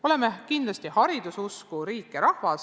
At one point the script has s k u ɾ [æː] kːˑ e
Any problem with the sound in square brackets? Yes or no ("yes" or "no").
yes